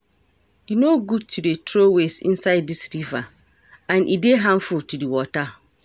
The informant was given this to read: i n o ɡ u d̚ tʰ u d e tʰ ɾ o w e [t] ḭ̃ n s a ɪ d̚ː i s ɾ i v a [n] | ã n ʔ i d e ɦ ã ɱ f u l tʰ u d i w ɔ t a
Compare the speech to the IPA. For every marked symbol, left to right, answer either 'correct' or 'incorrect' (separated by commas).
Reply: incorrect, incorrect